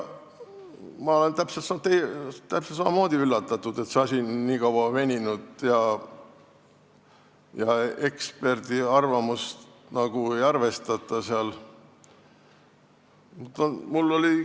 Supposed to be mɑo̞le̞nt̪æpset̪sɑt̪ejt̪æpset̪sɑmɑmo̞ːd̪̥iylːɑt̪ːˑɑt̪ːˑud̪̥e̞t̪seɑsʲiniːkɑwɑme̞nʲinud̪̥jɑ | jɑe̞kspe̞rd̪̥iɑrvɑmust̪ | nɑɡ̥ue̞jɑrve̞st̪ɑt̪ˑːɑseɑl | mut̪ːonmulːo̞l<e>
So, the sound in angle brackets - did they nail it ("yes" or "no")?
no